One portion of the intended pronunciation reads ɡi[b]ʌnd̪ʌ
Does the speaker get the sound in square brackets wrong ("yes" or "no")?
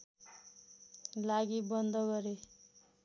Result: no